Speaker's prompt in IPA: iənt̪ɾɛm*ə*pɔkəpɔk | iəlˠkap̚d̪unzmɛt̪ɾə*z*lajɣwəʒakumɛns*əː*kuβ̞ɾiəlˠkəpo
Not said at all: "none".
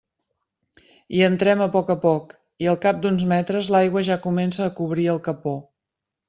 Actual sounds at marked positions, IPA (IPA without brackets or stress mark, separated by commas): ə, z, əː